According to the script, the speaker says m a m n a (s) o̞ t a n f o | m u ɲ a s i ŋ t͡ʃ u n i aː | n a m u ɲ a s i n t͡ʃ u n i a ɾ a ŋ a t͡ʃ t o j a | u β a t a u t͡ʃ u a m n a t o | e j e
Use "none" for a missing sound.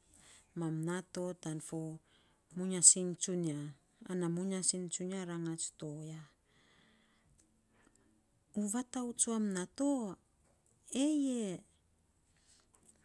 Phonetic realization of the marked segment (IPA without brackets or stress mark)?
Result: t